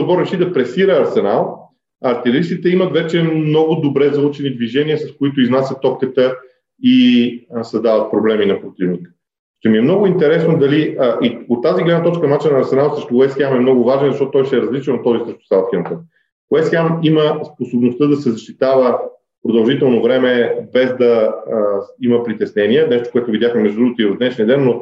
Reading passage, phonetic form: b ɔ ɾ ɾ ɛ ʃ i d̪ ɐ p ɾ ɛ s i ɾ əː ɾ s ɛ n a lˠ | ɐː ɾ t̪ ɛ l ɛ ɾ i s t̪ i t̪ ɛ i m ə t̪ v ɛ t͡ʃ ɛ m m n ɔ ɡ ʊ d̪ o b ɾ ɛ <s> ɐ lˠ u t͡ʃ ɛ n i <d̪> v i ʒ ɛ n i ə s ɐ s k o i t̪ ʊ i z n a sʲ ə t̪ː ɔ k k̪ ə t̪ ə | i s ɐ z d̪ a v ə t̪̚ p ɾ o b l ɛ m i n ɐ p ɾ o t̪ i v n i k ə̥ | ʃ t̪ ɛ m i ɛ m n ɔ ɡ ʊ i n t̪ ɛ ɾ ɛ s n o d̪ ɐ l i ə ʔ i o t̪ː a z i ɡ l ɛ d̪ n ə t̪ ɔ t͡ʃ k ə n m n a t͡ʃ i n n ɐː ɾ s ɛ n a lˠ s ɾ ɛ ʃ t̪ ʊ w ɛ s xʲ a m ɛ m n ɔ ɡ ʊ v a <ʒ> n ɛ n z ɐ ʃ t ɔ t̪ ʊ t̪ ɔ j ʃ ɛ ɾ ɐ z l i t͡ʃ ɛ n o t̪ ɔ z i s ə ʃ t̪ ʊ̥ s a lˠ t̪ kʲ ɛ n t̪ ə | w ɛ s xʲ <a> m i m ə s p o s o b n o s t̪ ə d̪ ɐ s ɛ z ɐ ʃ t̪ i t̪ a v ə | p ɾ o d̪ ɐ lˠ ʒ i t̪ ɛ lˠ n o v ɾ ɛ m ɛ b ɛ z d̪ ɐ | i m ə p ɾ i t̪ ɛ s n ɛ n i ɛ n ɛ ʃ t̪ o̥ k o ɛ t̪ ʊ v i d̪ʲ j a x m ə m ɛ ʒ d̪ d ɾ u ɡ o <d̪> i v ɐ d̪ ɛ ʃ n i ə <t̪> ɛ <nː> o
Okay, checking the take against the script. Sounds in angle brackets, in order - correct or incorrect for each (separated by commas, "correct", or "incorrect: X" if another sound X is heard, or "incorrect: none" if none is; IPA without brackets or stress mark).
incorrect: z, correct, correct, correct, incorrect: t̪, incorrect: d̪, correct